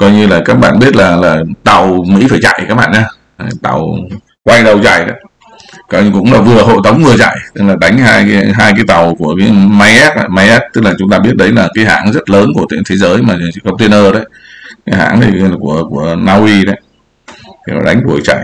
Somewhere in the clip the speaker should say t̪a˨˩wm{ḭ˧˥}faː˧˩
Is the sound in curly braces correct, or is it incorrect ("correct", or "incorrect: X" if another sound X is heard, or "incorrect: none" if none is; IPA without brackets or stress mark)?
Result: correct